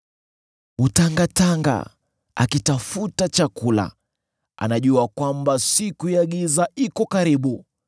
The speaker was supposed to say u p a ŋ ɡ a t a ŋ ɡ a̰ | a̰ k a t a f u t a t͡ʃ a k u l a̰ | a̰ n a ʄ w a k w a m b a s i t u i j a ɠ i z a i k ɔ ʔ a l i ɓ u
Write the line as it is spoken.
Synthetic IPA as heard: u t a ŋ ɡ a t a ŋ ɡ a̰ | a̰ k i t a f u t a t͡ʃ a k u l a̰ | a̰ n a ʄ u a k w a m b a s i k u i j a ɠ i z a i k ɔ k a ɾ i ɓ u